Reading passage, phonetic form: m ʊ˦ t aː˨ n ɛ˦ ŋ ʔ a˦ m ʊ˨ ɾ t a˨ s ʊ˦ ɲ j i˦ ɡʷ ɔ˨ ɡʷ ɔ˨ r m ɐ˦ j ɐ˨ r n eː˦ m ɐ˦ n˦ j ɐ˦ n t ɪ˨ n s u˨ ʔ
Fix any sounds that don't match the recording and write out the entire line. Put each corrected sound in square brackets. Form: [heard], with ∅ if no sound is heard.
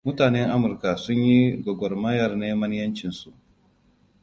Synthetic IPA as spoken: m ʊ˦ t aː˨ n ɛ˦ ŋ ʔ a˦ m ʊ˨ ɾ [k] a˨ s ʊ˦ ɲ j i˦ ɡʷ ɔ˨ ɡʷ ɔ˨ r m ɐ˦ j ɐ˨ r n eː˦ m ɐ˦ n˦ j ɐ˦ n [t͡ʃ] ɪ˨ n s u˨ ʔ